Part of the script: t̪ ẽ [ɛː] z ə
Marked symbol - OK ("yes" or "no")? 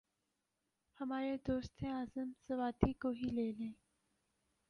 no